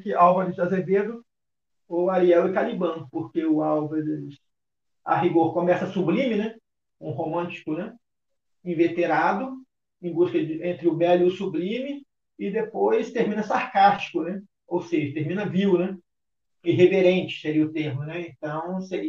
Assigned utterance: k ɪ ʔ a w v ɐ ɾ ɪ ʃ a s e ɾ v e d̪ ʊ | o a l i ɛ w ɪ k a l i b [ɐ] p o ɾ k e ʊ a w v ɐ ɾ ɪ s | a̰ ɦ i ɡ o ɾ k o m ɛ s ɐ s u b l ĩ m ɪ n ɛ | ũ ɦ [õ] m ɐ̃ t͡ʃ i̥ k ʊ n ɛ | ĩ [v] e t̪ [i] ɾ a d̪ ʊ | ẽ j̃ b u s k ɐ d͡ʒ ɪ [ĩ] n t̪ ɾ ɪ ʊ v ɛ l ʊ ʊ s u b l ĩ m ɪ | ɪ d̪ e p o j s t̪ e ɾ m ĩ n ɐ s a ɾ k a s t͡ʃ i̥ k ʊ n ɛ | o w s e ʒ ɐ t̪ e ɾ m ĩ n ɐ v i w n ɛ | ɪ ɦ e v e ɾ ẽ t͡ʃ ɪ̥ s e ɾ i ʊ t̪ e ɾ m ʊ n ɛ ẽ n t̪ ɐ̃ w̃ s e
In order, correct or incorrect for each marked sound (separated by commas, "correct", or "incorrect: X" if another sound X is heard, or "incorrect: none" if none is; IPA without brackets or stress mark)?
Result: incorrect: ɐ̃, incorrect: o, correct, incorrect: e, incorrect: ẽ